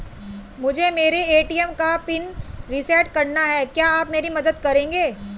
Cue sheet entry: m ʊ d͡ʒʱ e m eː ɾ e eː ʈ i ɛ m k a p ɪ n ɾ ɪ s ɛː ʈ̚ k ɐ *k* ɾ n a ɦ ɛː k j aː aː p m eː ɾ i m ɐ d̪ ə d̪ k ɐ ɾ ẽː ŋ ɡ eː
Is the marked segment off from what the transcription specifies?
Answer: yes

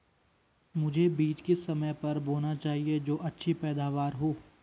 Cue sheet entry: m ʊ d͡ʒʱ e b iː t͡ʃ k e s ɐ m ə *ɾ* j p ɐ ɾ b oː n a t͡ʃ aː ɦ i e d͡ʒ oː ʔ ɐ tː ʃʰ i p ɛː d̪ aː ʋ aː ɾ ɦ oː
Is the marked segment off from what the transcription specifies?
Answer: yes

